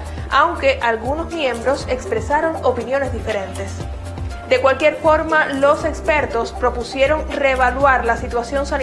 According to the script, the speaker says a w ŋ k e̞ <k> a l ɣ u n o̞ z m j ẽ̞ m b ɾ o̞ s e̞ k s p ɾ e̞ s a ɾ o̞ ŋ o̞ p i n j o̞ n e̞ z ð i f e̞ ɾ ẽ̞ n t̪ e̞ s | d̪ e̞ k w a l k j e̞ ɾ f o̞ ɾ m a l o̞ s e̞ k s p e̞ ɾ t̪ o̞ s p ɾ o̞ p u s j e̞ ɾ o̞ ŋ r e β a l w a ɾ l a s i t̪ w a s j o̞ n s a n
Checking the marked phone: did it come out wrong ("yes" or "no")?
yes